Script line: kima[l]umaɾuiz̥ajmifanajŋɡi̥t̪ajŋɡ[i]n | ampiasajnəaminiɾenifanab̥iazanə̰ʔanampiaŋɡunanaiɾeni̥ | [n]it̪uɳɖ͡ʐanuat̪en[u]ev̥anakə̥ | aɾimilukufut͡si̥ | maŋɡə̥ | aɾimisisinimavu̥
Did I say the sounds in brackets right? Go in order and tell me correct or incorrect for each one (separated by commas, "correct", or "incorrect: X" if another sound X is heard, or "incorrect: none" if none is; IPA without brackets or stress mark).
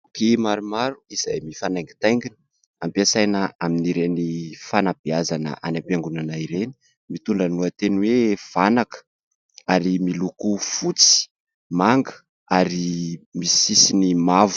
incorrect: ɾ, correct, incorrect: m, incorrect: w